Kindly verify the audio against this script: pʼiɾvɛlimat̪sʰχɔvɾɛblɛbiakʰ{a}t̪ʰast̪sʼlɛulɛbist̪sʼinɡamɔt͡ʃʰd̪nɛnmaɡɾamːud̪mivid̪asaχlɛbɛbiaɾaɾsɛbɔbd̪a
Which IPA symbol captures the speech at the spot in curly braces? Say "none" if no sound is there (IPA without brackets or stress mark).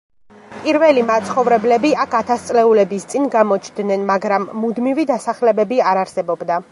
a